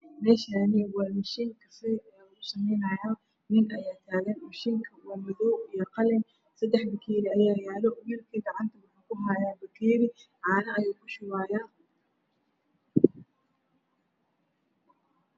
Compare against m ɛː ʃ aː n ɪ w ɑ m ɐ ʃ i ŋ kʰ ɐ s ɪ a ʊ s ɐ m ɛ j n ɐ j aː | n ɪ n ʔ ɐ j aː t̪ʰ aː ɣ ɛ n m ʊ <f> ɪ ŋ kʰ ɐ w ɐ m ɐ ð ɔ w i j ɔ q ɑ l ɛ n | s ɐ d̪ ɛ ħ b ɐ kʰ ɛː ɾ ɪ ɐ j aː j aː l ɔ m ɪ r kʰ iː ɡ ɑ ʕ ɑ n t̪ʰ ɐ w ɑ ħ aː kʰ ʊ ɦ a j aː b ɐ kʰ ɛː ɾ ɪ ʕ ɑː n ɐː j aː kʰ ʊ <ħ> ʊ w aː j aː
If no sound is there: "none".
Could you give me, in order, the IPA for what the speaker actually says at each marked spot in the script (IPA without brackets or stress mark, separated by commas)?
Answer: ʃ, ʃ